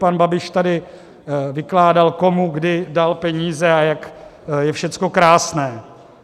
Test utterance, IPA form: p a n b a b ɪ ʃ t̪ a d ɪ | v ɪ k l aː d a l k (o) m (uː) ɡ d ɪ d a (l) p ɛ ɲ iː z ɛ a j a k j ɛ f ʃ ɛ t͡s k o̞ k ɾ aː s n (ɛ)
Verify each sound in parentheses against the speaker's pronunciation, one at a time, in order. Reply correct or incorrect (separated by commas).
correct, incorrect, correct, incorrect